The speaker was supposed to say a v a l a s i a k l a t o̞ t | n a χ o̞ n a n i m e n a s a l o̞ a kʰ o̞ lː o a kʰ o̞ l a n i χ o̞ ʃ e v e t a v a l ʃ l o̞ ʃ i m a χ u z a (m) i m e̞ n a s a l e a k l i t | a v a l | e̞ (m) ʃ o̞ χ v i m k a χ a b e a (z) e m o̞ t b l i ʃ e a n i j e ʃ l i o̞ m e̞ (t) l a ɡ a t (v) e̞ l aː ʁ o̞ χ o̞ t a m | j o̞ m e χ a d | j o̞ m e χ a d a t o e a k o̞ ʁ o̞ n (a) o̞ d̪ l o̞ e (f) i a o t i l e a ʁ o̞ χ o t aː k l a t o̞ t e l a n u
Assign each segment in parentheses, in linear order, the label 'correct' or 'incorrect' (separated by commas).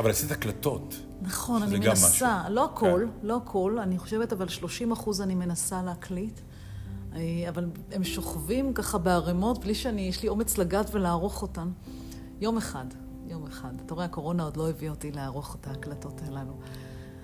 incorrect, correct, incorrect, incorrect, correct, correct, incorrect